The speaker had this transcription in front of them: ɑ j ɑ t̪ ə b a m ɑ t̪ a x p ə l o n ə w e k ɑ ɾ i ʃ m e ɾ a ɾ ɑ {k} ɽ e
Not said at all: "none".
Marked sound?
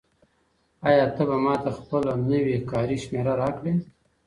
k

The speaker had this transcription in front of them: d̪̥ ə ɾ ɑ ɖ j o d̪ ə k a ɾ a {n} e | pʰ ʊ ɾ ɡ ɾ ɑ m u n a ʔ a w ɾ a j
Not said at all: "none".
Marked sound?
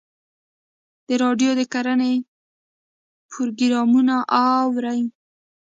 n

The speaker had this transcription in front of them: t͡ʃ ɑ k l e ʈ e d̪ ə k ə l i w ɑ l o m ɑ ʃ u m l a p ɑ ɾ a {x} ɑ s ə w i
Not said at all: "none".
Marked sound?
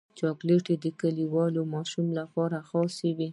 x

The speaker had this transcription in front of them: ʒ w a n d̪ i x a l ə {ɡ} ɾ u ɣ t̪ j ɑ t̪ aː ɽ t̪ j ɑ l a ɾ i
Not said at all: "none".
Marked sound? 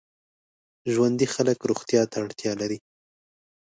k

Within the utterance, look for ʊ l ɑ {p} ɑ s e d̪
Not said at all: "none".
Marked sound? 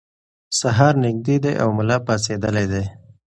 p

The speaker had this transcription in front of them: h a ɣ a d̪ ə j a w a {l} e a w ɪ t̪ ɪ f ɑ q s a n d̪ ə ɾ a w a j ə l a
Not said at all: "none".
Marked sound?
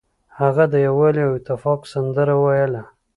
l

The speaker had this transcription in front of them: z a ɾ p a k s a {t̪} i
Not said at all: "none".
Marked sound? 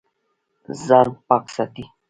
t̪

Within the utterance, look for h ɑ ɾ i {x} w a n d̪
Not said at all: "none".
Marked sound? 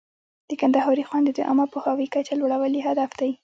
x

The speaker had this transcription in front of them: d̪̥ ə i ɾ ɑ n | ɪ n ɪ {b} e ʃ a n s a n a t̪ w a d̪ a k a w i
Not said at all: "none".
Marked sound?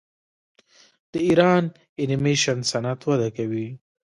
m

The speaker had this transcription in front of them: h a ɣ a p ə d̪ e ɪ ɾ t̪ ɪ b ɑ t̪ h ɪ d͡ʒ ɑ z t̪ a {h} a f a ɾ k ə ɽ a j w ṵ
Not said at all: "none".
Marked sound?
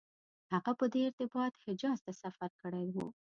s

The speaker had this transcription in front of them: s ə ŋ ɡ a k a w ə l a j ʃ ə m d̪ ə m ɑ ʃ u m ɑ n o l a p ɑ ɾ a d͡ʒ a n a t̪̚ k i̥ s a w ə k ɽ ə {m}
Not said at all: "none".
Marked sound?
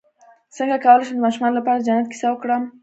m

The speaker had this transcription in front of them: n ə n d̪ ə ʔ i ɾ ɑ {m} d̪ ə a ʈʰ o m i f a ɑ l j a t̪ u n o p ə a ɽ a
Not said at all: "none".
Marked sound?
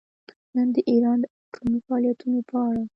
n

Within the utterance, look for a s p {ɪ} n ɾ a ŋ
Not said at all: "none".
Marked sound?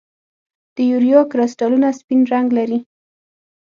i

